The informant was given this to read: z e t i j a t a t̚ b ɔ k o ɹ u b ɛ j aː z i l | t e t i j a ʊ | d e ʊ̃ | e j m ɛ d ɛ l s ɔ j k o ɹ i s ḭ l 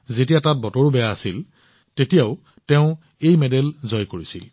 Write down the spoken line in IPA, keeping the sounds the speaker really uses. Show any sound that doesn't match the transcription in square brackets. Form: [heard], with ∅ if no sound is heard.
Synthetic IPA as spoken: z e t i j a t a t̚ b ɔ [t] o ɹ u b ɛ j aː [s] i l | t e t i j a ʊ | [t] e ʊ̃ | e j m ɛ d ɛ l [z] ɔ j k o ɹ i s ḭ l